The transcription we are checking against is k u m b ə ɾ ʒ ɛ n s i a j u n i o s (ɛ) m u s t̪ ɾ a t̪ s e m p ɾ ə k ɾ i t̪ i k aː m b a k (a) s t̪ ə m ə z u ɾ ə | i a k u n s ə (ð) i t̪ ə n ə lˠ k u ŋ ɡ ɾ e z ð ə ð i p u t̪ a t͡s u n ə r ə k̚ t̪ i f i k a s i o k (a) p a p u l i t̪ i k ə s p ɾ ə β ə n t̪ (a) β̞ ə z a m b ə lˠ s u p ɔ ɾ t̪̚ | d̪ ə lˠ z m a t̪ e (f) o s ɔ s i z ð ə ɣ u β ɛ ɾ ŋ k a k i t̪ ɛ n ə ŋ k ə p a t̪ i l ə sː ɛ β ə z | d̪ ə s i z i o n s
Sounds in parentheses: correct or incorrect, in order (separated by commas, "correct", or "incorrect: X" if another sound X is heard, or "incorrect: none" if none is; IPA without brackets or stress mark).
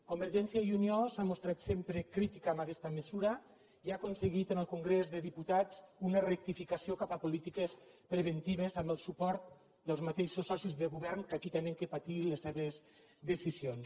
incorrect: a, incorrect: ɛ, incorrect: ɣ, correct, incorrect: i, incorrect: ʃ